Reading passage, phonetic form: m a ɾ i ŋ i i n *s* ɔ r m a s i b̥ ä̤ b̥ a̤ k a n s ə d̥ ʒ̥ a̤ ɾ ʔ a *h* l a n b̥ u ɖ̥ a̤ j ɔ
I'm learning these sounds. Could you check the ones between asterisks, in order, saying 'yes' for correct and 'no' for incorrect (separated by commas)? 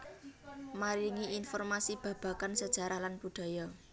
no, yes